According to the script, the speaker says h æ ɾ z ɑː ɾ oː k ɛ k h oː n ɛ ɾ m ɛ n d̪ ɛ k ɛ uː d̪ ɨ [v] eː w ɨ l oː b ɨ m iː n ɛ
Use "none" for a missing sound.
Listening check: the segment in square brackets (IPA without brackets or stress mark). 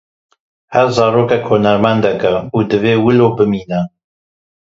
v